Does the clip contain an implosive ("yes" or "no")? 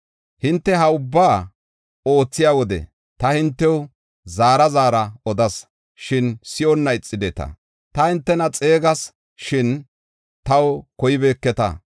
no